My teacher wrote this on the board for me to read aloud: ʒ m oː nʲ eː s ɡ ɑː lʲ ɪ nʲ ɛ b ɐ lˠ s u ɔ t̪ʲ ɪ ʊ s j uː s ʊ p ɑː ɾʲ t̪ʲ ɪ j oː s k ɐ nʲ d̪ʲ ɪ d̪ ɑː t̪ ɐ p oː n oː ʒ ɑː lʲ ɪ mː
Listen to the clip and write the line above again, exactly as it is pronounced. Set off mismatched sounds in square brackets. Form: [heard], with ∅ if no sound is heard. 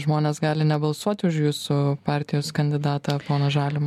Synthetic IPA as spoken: ʒ m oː nʲ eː s ɡ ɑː lʲ ɪ nʲ ɛ b ɐ lˠ s u ɔ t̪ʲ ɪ ʊ [ʃ] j uː s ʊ p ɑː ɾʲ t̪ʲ ɪ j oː s k ɐ nʲ d̪ʲ ɪ d̪ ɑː t̪ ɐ p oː n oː ʒ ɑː lʲ ɪ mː